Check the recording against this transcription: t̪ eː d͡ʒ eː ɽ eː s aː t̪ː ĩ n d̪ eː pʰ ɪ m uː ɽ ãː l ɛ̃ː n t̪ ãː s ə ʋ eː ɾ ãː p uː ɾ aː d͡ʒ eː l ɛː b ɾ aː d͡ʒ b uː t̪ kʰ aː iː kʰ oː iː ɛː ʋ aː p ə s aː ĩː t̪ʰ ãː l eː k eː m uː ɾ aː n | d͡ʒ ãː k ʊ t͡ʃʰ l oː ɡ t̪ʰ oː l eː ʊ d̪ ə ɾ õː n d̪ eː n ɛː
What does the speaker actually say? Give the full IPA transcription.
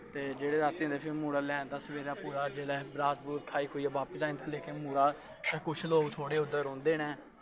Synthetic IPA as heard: t̪ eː d͡ʒ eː ɽ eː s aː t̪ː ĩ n d̪ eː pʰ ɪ m uː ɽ aː l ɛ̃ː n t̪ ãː s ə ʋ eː ɾ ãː p uː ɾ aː d͡ʒ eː ɽ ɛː b ɾ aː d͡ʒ b uː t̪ kʰ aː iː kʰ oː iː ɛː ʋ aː p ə s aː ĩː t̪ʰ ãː l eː k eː m uː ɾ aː | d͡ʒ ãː k ʊ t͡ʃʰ l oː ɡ t̪ʰ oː ɽ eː ʊ d̪ ə ɾ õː n d̪ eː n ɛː